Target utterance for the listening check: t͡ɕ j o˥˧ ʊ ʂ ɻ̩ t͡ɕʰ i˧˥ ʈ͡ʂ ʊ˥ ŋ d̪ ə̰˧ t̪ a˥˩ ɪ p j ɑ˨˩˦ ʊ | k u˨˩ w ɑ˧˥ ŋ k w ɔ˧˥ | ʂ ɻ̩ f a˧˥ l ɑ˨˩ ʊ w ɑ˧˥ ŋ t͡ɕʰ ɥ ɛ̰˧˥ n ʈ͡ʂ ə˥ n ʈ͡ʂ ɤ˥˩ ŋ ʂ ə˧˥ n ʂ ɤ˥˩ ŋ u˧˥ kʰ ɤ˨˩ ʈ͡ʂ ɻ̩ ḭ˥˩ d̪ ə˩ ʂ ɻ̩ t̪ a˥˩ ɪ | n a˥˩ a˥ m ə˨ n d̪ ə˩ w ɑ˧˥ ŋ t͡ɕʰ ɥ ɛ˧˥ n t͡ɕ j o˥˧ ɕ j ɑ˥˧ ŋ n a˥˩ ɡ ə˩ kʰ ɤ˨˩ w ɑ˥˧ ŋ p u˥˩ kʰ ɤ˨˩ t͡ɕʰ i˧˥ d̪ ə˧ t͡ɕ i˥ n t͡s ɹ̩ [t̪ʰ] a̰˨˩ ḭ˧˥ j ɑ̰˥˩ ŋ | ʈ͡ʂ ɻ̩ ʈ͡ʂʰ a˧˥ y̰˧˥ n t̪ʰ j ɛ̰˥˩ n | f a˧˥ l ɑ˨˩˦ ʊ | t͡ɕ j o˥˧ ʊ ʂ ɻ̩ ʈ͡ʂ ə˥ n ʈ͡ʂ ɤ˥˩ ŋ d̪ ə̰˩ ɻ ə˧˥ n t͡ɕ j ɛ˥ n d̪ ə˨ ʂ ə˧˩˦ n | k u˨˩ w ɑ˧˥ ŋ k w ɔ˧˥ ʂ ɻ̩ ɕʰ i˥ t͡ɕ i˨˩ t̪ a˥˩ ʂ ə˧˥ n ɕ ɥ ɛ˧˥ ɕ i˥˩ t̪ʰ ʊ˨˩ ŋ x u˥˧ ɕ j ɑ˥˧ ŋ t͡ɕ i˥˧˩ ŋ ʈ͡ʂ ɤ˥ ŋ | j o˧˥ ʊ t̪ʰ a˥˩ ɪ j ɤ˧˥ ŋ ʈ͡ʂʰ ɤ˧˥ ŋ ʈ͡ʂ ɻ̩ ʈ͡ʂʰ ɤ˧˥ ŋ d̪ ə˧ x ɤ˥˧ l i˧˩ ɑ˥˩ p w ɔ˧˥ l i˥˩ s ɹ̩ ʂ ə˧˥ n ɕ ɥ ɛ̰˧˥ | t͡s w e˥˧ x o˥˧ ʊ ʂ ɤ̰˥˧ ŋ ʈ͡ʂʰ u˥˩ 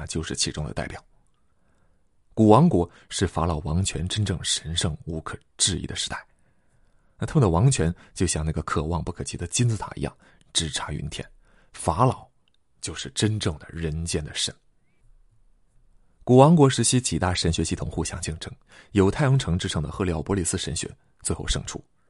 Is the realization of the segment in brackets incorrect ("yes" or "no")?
no